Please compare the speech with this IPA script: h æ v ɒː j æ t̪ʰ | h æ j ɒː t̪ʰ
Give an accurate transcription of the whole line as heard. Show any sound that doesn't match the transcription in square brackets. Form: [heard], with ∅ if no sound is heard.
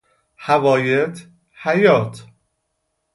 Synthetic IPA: h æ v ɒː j [e] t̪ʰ | h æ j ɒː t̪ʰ